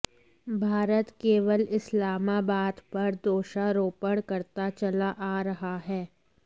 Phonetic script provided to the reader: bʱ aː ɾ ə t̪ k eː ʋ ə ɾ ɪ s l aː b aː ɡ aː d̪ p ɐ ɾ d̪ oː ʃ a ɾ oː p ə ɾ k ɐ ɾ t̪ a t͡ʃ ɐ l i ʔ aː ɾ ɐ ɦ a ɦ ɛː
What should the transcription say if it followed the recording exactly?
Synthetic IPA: bʱ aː ɾ ə t̪ k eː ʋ ə l ɪ s l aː m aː b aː d̪ p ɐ ɾ d̪ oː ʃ a ɾ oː p ə ɽ k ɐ ɾ t̪ a t͡ʃ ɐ l a ʔ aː ɾ ɐ ɦ a ɦ ɛː